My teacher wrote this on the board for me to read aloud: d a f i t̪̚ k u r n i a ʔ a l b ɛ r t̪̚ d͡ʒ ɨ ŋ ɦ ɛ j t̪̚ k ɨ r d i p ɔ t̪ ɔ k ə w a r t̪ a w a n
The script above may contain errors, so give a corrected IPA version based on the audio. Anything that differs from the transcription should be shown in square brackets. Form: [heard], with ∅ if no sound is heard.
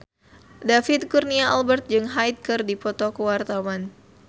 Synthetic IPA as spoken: d a f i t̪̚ k u r n i a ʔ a l b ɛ r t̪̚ d͡ʒ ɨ ŋ ɦ [a] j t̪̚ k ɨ r d i p ɔ t̪ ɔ k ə w a r t̪ a w a n